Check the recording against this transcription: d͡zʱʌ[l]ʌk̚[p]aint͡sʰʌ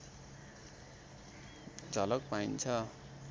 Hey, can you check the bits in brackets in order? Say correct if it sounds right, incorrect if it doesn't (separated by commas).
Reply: correct, correct